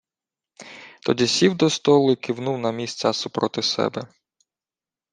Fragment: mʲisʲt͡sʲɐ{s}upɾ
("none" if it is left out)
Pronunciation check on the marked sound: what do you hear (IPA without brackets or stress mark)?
s